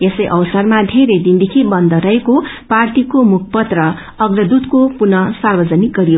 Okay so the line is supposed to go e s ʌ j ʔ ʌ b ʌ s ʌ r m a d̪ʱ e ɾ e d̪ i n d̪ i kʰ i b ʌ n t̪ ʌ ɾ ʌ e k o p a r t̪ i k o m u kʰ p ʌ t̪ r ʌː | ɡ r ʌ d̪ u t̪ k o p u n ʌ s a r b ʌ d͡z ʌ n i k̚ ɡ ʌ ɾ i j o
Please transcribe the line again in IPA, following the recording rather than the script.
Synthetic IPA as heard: e s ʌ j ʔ ʌ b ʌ s ʌ r m a d̪ʱ e ɾ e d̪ i n d̪ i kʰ i b ʌ n d̪ ʌ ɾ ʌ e k o p a r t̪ i k o m u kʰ p ʌ t̪ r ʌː | ɡ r ʌ d̪ u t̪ k o p u n ʌ s a r b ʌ d͡z ʌ n i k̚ ɡ ʌ ɾ i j o